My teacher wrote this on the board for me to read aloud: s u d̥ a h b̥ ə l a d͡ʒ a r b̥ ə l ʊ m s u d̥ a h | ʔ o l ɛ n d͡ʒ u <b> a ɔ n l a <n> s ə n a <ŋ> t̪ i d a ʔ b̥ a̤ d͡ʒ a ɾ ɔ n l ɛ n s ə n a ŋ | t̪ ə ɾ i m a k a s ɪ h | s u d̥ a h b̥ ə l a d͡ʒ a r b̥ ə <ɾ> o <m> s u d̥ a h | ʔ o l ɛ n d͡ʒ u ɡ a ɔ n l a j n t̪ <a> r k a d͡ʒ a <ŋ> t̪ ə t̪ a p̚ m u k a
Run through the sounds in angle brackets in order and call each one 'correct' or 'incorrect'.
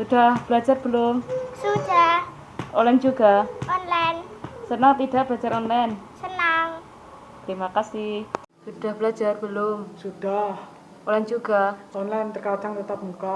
incorrect: ɡ, correct, correct, incorrect: l, correct, incorrect: ə, correct

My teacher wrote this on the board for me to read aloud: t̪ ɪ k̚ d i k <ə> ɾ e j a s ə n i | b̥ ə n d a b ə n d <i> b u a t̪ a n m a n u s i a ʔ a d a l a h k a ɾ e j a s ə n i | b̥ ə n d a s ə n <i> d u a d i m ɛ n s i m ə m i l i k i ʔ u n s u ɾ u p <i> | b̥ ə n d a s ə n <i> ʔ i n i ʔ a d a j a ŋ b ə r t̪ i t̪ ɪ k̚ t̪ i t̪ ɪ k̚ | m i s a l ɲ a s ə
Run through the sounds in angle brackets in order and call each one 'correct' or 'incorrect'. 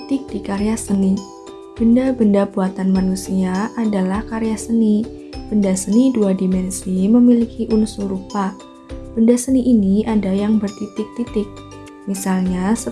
incorrect: a, incorrect: a, correct, incorrect: a, correct

